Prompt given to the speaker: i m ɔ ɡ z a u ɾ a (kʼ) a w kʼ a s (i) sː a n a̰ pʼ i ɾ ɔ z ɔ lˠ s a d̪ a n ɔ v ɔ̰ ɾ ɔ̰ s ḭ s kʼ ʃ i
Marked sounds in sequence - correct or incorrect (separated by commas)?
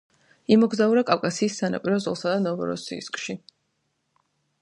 correct, incorrect